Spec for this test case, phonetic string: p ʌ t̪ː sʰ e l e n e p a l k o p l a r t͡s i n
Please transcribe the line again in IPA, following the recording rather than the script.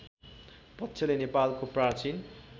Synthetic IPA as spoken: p ʌ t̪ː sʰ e l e n e p a l k o p r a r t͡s i n